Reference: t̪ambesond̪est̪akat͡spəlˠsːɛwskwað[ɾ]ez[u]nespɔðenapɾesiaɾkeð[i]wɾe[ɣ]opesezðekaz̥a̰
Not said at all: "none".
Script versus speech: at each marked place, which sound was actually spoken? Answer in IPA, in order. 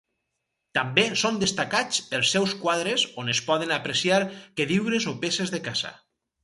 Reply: ɾ, o, i, z

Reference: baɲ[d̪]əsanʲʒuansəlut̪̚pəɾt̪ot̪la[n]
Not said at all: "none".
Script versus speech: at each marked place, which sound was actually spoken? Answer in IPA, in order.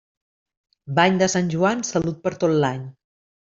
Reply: d̪, ɲ

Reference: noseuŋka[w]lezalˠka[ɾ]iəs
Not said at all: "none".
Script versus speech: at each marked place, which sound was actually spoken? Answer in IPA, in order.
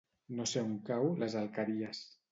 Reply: w, ɾ

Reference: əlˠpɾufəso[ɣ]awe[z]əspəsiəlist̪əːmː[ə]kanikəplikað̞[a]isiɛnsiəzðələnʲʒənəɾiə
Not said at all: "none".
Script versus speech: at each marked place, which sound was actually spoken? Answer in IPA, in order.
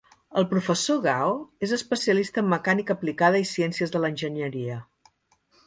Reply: ɣ, z, ə, ə

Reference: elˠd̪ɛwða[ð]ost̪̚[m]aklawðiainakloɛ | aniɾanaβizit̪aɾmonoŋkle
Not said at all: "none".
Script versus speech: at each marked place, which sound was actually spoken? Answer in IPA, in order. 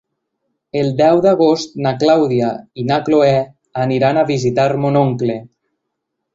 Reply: ɣ, n

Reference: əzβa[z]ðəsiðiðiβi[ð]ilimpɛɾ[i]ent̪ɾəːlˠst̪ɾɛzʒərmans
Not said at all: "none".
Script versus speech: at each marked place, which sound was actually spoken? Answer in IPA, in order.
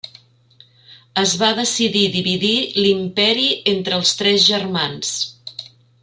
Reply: none, ð, i

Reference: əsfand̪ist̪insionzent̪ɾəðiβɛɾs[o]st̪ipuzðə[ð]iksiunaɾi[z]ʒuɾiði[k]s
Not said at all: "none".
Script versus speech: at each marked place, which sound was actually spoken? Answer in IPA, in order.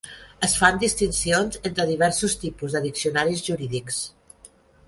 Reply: u, ð, z, k

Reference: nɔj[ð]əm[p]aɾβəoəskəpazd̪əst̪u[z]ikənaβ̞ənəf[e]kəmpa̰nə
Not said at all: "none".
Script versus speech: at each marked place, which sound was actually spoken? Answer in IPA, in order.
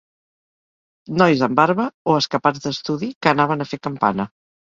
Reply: z, b, ð, e

